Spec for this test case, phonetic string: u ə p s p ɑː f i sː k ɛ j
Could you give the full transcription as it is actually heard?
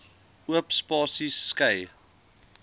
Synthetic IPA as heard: u ə p s p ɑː s i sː k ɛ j